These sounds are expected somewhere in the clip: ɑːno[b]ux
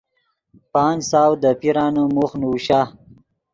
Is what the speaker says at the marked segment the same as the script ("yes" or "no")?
no